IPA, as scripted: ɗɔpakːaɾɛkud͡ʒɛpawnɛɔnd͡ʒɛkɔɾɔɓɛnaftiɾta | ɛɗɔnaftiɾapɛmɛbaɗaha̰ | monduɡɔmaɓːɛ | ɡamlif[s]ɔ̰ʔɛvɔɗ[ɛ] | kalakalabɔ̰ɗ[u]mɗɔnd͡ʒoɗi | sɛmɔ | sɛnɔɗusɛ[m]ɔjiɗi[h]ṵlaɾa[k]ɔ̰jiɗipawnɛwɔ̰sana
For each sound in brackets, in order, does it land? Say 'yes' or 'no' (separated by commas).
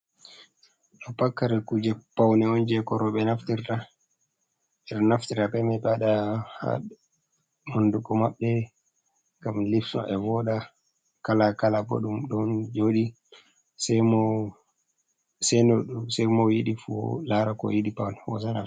yes, no, yes, yes, no, yes